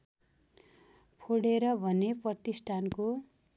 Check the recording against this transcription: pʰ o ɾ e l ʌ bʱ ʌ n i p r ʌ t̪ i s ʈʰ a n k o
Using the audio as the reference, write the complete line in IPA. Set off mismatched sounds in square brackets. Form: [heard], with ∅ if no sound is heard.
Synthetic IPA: pʰ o [ɽ] e [ɾ] ʌ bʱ ʌ n [e] p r ʌ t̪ i s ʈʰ a n k o